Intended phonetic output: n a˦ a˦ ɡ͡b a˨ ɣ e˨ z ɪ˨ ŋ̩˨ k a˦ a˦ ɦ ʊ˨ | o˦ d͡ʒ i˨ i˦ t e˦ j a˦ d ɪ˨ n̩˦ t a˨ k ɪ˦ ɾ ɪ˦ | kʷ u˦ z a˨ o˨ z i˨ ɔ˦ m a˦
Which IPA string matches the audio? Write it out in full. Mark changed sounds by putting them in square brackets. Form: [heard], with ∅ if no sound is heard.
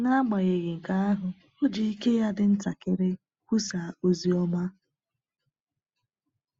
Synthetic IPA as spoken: n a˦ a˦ ɡ͡b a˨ ɣ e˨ [ɣ] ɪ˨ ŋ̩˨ k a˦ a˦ ɦ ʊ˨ | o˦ d͡ʒ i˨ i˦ [k] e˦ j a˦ d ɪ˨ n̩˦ t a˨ k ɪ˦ ɾ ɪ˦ | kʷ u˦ [s] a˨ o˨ z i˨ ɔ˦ m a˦